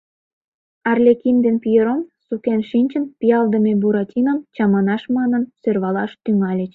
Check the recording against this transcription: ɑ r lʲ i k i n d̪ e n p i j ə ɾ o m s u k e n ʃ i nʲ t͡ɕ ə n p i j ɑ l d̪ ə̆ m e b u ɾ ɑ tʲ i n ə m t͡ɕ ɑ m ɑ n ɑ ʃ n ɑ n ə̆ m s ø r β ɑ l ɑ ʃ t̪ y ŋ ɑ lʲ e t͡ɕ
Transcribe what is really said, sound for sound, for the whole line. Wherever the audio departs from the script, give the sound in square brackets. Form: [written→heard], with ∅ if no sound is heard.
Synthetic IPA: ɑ r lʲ [i→e] k i n d̪ e n p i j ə ɾ o m s u k e n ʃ i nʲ t͡ɕ ə n p i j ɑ l d̪ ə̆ m e b u ɾ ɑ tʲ i n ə m t͡ɕ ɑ m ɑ n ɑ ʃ [n→m] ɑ n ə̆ [m→n] s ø r β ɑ l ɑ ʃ t̪ y ŋ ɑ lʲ e t͡ɕ